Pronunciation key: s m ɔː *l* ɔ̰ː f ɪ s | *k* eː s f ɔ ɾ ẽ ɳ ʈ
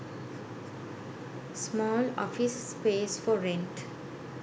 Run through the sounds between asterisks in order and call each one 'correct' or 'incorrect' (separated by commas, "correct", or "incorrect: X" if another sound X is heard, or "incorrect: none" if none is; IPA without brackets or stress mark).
correct, incorrect: p